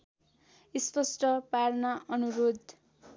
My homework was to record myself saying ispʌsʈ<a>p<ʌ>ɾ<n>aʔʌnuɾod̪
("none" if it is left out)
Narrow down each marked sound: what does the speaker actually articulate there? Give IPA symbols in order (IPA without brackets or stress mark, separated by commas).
ʌ, a, n